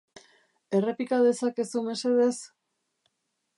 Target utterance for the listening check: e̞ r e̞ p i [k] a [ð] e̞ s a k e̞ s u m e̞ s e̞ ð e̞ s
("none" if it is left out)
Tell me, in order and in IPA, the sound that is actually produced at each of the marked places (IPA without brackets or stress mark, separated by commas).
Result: k, ð